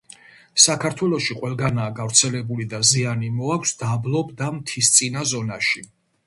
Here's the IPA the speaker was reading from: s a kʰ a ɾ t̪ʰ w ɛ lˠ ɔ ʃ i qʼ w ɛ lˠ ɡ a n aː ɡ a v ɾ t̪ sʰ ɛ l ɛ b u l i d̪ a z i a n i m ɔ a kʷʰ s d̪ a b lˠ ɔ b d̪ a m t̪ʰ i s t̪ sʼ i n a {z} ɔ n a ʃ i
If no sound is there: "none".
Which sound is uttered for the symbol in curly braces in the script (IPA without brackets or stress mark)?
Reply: z